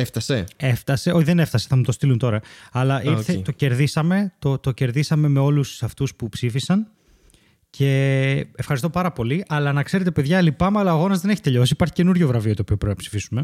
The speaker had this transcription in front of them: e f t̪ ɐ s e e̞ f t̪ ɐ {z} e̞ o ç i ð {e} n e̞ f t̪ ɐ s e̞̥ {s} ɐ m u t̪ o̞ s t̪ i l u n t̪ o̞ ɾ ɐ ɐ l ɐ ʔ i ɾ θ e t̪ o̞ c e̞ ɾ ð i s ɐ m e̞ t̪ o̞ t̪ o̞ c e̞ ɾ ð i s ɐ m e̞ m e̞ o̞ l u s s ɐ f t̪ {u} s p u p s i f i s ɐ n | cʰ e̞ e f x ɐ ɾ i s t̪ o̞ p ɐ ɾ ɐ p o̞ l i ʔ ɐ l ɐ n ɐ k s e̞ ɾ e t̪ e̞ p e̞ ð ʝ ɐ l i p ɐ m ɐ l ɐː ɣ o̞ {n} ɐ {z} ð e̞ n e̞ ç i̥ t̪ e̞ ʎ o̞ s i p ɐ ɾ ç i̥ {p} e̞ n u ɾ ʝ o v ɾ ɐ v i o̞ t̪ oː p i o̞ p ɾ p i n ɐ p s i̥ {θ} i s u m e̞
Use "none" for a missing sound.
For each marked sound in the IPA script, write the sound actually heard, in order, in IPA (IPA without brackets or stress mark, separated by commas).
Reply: s, e, θ, u, n, z, c, f